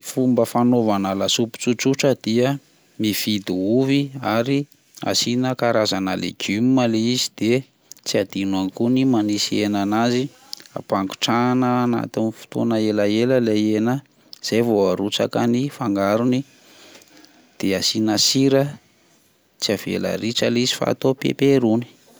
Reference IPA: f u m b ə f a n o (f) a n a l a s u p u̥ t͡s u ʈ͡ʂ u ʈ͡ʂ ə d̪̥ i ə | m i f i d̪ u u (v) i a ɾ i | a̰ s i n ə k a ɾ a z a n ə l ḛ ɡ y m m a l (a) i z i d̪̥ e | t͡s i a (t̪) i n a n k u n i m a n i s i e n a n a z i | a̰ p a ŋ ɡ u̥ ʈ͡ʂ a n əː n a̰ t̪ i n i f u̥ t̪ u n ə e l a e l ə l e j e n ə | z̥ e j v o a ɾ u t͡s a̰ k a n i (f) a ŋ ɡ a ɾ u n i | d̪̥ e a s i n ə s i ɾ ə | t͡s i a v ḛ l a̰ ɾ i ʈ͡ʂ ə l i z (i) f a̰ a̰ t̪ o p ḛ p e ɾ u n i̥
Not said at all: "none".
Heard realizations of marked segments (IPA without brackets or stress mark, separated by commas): v, v, e, d̪, f, i